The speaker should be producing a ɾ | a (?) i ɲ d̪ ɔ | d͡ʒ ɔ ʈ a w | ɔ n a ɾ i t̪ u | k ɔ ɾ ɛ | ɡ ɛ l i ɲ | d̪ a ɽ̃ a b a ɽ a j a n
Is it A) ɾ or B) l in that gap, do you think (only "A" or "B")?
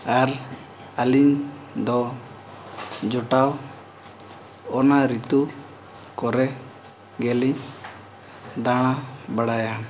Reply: B